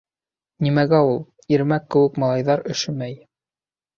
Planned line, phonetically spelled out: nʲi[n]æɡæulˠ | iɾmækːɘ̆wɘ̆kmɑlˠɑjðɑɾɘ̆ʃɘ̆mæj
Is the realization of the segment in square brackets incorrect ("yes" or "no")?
yes